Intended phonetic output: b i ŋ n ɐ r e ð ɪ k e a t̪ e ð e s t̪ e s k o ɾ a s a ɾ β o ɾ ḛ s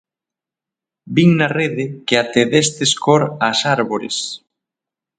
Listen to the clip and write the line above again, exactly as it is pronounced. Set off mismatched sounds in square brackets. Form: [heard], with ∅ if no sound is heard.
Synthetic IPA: b i ŋ n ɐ r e ð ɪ k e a t̪ e ð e s t̪ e s k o ɾ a s a ɾ β o ɾ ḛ s